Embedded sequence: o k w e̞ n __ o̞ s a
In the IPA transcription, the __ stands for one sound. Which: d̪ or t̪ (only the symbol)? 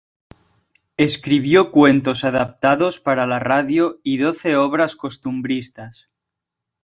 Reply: t̪